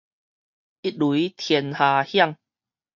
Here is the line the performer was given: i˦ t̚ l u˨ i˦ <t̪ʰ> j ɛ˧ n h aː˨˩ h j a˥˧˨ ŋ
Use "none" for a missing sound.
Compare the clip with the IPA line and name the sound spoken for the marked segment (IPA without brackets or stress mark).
t̪ʰ